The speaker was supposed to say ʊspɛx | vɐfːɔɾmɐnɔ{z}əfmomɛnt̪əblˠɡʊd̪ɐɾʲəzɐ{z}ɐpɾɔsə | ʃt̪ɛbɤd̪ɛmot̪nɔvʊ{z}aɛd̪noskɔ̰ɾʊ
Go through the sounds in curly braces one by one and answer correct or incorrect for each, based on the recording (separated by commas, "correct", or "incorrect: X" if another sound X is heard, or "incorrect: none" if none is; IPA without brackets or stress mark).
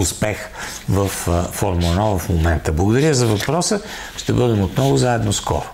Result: incorrect: v, incorrect: v, correct